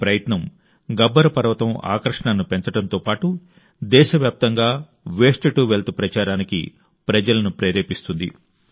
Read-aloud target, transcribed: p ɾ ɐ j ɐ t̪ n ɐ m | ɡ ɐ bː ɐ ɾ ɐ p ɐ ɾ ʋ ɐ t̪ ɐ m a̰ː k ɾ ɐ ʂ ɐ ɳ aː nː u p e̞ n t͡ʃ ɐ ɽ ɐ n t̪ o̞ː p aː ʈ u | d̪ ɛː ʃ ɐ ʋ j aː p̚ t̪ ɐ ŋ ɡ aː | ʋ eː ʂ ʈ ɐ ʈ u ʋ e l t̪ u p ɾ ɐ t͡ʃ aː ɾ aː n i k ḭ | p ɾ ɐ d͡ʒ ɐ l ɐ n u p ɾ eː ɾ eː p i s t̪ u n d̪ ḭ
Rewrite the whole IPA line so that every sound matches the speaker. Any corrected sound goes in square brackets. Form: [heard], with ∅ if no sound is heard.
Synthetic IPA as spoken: p ɾ ɐ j ɐ t̪ n ɐ m | ɡ ɐ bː ɐ ɾ ɐ p ɐ ɾ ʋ ɐ t̪ ɐ m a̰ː k ɾ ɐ ʂ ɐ ɳ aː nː u p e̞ n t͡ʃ ɐ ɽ ɐ n t̪ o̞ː p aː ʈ u | d̪ ɛː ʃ ɐ ʋ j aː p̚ t̪ ɐ ŋ ɡ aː | ʋ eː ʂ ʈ ɐ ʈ u ʋ e l t̪ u p ɾ ɐ t͡ʃ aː ɾ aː n i k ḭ | p ɾ ɐ d͡ʒ ɐ l ɐ n u p ɾ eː ɾ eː p i s t̪ u n d̪ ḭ

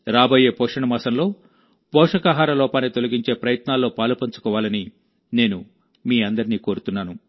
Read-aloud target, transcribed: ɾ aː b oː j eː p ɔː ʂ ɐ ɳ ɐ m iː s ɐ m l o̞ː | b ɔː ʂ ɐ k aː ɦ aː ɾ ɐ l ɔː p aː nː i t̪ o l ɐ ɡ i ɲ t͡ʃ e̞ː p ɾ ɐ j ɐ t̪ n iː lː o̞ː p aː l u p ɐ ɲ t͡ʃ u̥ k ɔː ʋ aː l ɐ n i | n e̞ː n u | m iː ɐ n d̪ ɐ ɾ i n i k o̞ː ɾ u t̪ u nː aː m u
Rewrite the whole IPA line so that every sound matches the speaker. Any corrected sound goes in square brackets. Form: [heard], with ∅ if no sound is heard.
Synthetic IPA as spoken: ɾ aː b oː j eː p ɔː ʂ ɐ ɳ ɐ m [aː] s ɐ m l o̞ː | [p] ɔː ʂ ɐ k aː ɦ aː ɾ ɐ l ɔː p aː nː i t̪ o l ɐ ɡ i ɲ t͡ʃ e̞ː p ɾ ɐ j ɐ t̪ n [aː] lː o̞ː p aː l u p ɐ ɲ t͡ʃ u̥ k ɔː ʋ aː l ɐ n i | n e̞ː n u | m iː ɐ n d̪ ɐ ɾ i n [iː] k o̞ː ɾ u t̪ u nː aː [n] u

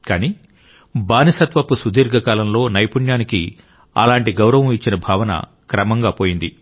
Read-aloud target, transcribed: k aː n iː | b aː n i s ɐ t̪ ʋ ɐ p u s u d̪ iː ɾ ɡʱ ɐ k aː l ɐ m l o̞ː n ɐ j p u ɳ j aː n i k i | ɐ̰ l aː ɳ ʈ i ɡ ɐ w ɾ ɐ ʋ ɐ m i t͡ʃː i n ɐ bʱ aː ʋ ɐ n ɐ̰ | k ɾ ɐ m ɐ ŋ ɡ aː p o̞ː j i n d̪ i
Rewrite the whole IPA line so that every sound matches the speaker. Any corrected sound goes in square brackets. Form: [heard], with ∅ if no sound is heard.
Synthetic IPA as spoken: k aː n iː | b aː n i s ɐ t̪ ʋ ɐ p u s u d̪ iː ɾ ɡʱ ɐ k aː l ɐ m l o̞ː n ɐ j p u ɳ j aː n i k i | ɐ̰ l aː ɳ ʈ i ɡ ɐ w ɾ ɐ ʋ ɐ m i t͡ʃː i n ɐ bʱ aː ʋ ɐ n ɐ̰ | k ɾ ɐ m ɐ ŋ ɡ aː p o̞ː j i n d̪ i

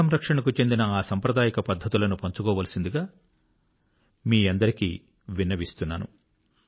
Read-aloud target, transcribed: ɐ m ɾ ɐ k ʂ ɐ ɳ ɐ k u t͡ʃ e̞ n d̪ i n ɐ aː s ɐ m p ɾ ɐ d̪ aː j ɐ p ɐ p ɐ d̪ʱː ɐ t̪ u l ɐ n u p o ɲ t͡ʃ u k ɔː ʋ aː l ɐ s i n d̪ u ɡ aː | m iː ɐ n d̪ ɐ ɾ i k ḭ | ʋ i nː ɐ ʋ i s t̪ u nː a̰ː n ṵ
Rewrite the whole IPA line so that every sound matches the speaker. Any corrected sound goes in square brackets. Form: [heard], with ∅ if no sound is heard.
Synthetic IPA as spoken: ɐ m ɾ ɐ k ʂ ɐ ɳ ɐ k u t͡ʃ e̞ n d̪ i n ɐ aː s ɐ m p ɾ ɐ d̪ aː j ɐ [k] ɐ p ɐ d̪ʱː ɐ t̪ u l ɐ n u p o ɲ t͡ʃ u k ɔː ʋ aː l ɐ s i n d̪ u ɡ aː | m iː ɐ n d̪ ɐ ɾ i k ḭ | ʋ i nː ɐ ʋ i s t̪ u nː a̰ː n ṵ

